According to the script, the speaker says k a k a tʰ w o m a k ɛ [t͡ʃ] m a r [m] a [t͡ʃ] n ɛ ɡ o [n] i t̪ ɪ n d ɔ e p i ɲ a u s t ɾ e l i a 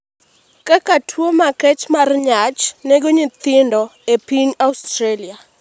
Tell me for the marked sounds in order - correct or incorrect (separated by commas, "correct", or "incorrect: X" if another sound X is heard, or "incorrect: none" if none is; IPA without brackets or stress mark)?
correct, incorrect: ɲ, correct, incorrect: ɲ